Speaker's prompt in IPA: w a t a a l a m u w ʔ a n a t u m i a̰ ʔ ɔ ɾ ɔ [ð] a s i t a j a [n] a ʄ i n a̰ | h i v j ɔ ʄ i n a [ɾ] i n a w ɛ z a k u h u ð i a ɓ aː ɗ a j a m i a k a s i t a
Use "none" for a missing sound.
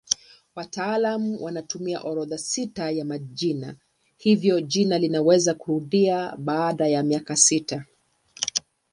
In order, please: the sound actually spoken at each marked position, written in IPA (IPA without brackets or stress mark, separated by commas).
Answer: ð, m, l